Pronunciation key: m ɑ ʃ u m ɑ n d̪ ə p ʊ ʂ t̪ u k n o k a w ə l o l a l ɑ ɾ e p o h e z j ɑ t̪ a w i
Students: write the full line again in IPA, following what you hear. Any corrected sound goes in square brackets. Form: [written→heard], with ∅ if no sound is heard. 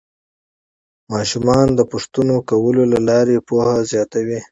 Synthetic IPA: m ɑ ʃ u m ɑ n d̪ ə p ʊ ʂ t̪ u [k→∅] n o k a w ə l o l a l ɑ ɾ e p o h [e→a] z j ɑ t̪ a w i

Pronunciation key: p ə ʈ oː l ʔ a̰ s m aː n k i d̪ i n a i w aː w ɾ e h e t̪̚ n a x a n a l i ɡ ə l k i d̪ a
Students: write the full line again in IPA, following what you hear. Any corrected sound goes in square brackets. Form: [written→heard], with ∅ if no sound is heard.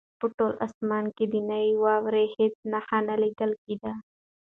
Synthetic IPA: p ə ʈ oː l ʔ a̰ s m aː n k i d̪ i n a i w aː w ɾ e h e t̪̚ n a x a n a l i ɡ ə l k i d̪ a

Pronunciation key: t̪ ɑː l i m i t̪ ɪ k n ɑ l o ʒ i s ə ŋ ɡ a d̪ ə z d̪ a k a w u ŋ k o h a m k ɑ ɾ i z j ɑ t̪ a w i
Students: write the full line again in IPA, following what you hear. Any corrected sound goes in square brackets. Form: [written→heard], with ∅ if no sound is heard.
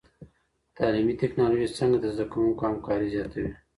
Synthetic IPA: t̪ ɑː l i m i t̪ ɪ k n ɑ l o ʒ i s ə ŋ ɡ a d̪ ə z d̪ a k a w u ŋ k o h a m k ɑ ɾ i z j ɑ t̪ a w i

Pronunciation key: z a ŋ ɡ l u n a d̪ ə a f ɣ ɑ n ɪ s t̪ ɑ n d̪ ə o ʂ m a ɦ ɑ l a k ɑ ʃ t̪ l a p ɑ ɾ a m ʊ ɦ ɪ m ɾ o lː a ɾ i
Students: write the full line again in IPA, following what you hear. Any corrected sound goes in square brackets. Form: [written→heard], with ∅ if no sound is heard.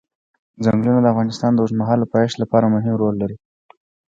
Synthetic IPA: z a ŋ ɡ l u n a d̪ ə a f ɣ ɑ n ɪ s t̪ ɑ n d̪ ə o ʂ m a ɦ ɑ l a [k→p] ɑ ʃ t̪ l a p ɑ ɾ a m ʊ ɦ ɪ m ɾ o lː a ɾ i

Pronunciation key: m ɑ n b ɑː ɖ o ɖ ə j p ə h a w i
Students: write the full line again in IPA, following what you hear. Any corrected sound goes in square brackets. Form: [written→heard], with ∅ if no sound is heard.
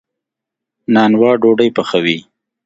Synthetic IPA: [m→n] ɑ n [b→w] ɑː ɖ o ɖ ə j p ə [h→x] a w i

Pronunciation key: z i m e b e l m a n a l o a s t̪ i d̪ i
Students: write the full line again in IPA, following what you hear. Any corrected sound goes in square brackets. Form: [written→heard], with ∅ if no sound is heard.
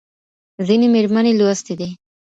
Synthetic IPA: z i [m→n] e [b→m] e [l→ɾ] m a n [a→e] l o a s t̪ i d̪ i

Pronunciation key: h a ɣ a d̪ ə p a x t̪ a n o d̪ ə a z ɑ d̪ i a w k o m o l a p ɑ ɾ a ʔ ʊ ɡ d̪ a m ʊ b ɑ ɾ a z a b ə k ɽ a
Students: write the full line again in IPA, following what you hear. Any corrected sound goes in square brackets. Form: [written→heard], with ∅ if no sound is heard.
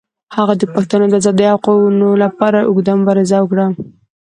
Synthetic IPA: h a ɣ a d̪ ə p a x t̪ a n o d̪ ə a z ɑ d̪ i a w [k→q] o [m→n] o l a p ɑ ɾ a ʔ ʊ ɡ d̪ a m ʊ b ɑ ɾ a z a [b→w] ə k ɽ a

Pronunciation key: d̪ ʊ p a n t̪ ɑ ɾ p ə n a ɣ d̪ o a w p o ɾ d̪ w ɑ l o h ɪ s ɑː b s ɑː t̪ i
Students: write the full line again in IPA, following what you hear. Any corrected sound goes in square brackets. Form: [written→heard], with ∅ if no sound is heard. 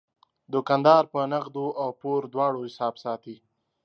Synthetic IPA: d̪ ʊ [p→k] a n [t̪→d̪] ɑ ɾ p ə n a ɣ d̪ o a w p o ɾ d̪ w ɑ [l→ɽ] o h ɪ s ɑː b s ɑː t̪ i

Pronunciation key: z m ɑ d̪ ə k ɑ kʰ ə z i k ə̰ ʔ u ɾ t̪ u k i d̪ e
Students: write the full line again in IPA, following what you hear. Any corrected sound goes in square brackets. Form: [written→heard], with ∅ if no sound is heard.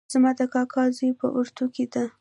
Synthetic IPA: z m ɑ d̪ ə k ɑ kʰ [ə→ɑ] z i [k→p] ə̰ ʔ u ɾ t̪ u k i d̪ [e→a]

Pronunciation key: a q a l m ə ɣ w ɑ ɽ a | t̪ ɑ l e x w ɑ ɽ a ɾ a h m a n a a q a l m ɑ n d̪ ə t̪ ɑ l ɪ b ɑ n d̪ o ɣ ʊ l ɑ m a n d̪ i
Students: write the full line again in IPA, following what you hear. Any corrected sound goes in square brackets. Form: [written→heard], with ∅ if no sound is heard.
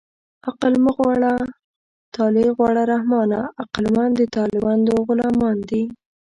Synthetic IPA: a q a l m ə ɣ w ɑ ɽ a | t̪ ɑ l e [x→ɣ] w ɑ ɽ a ɾ a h m [a→ɑ] n a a q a l m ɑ n d̪ ə t̪ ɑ l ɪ b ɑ n d̪ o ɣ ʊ l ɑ m [a→ɑ] n d̪ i

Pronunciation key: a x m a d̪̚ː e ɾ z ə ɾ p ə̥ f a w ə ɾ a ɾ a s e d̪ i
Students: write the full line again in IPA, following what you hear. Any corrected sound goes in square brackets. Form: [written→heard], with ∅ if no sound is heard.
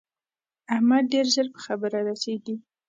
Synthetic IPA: a [x→h] m a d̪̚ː e ɾ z ə ɾ p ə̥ [f→x] a [w→b] ə ɾ a ɾ a s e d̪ i

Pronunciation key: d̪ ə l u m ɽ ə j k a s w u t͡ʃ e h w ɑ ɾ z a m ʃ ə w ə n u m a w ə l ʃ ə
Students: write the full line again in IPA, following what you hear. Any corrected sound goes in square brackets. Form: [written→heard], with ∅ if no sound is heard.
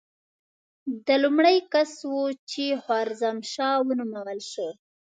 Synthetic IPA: d̪ ə l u m ɽ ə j k a s w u t͡ʃ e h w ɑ ɾ z a m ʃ [ə→ɑ] w ə n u m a w ə l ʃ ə

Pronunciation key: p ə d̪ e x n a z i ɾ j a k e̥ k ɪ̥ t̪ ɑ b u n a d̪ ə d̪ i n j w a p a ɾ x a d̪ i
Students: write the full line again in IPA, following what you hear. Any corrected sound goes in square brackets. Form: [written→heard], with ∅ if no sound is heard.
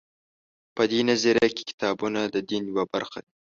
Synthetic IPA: p ə d̪ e [x→∅] n a z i ɾ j a k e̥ k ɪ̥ t̪ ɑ b u n a d̪ ə d̪ i n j w a [p→b] a ɾ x a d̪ i

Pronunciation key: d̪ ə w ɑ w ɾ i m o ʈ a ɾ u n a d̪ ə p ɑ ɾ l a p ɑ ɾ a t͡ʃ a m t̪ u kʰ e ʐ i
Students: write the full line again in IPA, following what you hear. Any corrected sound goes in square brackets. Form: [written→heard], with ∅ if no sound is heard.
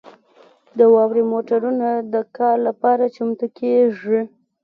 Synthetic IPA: d̪ ə w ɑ w ɾ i m o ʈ a ɾ u n a d̪ ə [p→k] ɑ ɾ l a p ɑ ɾ a t͡ʃ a m t̪ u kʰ e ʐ i

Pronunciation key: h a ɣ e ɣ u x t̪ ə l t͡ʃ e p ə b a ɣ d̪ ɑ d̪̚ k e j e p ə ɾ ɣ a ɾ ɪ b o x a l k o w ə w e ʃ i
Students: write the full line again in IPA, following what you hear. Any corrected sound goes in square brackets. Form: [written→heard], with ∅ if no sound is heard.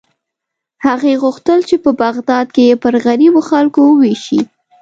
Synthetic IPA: h a ɣ e ɣ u x t̪ ə l t͡ʃ e p ə b a ɣ d̪ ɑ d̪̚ k e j e p ə ɾ ɣ a ɾ [ɪ→i] b o x a l k o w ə w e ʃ i

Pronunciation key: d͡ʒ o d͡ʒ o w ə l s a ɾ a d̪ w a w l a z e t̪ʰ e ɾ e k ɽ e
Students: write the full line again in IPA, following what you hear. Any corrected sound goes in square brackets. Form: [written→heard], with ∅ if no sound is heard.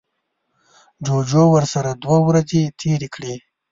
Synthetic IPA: d͡ʒ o d͡ʒ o w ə [l→ɾ] s a ɾ a d̪ w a w [l→ɾ] a z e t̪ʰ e ɾ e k ɽ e

